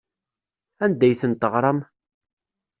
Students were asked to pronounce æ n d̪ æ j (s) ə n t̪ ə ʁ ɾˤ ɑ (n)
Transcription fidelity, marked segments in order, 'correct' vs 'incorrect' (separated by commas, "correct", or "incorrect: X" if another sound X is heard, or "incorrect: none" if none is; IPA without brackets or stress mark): incorrect: θ, incorrect: m